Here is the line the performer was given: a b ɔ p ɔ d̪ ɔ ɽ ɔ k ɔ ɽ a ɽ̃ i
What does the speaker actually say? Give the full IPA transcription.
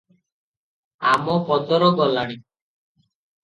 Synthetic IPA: a m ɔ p ɔ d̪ ɔ ɾ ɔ ɡ ɔ l a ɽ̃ i